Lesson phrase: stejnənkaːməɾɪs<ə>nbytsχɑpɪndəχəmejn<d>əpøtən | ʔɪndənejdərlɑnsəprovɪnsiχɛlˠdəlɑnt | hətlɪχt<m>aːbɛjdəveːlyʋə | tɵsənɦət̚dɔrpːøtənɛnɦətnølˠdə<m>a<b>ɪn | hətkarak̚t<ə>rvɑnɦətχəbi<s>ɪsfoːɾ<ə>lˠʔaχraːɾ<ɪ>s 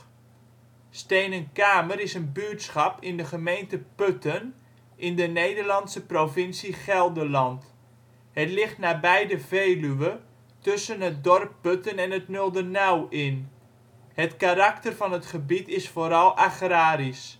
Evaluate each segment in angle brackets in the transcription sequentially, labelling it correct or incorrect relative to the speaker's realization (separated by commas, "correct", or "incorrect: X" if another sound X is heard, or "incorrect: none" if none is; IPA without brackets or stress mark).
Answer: correct, incorrect: t, incorrect: n, incorrect: n, incorrect: w, correct, incorrect: t, incorrect: ɑ, incorrect: i